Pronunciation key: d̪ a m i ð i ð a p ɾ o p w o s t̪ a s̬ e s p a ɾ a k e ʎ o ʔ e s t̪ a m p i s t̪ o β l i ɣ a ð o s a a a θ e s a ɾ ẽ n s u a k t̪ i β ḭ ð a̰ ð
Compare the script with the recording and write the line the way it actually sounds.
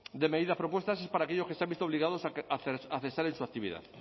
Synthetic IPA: d̪ e m e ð i ð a p ɾ o p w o s t̪ a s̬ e s p a ɾ a k e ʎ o k e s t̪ a m b i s t̪ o β l i ɣ a ð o s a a a θ e s a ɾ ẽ n s u a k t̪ i β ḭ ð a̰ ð